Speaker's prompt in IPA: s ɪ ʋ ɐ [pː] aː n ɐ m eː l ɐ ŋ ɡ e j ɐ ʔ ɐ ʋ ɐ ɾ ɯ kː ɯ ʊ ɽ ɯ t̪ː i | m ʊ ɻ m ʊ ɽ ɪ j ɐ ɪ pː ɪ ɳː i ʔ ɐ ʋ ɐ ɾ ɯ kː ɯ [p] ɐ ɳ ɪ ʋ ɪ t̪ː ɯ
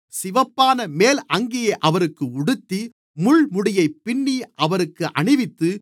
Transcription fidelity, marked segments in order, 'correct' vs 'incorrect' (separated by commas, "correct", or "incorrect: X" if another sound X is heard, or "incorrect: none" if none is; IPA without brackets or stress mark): correct, incorrect: ʔ